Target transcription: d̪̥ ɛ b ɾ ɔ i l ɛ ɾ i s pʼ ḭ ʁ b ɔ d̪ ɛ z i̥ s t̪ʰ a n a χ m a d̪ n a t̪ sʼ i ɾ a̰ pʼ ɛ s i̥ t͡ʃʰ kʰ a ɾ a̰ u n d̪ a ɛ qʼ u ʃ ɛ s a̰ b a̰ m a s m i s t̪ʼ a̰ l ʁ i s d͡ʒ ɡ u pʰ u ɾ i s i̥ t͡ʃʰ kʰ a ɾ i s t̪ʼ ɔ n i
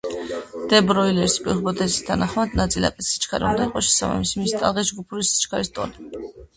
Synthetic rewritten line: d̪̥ ɛ b ɾ ɔ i l ɛ ɾ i s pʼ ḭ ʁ b ɔ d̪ ɛ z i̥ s t̪ʰ a n a χ m a d̪ n a t̪ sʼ i l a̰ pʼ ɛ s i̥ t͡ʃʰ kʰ a ɾ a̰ u n d̪ a i qʼ ɔ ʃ ɛ s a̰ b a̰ m i s m i s t̪ʼ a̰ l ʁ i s d͡ʒ ɡ u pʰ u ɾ i s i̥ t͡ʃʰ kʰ a ɾ i s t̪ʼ ɔ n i